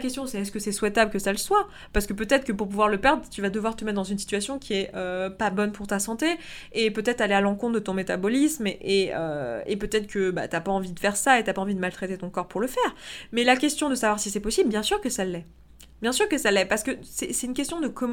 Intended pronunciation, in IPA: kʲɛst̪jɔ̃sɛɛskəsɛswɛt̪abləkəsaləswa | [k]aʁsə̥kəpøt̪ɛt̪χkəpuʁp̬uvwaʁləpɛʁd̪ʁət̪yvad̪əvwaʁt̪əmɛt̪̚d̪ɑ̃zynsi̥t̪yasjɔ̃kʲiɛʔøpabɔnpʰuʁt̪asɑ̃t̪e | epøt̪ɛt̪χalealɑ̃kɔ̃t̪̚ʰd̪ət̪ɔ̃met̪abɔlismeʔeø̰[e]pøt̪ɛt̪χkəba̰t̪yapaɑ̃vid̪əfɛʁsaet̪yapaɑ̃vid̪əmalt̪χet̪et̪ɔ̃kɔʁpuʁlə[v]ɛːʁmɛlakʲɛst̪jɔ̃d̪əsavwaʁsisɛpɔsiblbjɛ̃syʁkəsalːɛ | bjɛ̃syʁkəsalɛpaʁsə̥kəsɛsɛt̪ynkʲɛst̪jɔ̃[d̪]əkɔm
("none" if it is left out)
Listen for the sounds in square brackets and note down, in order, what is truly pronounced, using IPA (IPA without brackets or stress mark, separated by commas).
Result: p, e, f, d̪